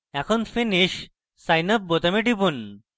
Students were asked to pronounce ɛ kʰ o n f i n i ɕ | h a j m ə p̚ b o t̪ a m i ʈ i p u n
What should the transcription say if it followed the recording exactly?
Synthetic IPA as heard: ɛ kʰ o n f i n i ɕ | s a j n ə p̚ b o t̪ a m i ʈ i p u n